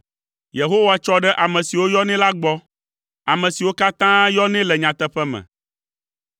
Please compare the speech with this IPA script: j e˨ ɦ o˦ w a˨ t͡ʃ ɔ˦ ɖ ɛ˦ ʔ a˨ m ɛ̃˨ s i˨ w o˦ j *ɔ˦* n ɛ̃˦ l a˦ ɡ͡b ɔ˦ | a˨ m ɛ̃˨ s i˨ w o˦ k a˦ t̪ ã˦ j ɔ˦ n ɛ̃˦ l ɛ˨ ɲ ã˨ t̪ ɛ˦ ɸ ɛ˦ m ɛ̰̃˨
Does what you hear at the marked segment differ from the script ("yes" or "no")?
no